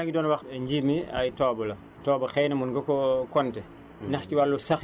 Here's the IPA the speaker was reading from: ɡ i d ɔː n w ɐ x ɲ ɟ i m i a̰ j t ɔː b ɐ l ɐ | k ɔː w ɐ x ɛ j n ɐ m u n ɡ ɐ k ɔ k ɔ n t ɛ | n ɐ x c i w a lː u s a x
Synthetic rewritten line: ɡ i d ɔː n w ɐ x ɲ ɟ i m i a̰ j t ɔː b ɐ l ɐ | t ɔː b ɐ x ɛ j n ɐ m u n ɡ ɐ k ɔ k ɔ n t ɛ | n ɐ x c i w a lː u s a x

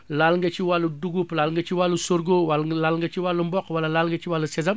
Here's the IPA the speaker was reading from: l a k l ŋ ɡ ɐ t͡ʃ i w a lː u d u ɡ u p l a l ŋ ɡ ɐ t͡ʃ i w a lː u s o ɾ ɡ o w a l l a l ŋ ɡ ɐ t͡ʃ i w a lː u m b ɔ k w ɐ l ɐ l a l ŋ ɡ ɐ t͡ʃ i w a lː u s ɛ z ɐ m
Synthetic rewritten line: l a l ŋ ɡ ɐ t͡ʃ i w a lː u d u ɡ u p l a l ŋ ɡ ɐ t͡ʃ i w a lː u s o ɾ ɡ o w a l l a l ŋ ɡ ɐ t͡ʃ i w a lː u m b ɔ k w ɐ l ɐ l a l ŋ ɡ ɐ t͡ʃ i w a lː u s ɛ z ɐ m

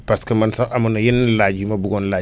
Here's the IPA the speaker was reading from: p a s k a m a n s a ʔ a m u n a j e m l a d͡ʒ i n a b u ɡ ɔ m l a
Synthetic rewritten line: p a s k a m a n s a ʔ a m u n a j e n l a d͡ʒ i m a b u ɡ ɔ n l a

